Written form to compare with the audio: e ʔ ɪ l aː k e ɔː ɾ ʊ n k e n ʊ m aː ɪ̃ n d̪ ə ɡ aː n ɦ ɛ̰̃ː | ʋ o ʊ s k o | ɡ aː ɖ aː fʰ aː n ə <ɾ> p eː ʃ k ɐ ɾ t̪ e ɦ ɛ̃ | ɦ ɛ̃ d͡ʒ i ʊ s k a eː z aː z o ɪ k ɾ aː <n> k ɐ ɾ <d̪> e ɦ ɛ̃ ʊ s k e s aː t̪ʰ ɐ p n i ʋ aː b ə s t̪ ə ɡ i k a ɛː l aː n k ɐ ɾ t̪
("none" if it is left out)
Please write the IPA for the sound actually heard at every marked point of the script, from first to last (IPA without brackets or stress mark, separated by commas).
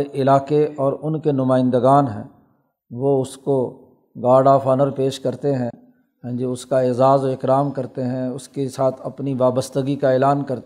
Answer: ɾ, m, t̪